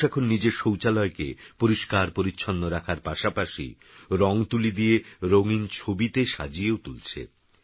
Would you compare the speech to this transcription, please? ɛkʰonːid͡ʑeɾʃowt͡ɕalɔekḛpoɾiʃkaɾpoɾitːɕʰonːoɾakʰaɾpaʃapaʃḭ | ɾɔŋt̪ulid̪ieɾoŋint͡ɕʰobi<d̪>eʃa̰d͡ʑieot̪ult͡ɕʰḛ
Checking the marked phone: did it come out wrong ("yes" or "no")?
yes